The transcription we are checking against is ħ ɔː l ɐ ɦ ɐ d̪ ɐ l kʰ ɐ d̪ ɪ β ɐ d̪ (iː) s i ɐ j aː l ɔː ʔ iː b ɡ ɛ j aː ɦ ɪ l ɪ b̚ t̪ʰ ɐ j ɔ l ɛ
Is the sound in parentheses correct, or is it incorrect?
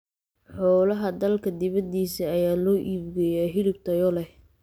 correct